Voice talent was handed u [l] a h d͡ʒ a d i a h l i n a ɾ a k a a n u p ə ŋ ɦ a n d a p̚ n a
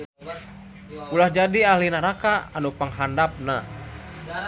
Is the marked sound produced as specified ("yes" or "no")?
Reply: yes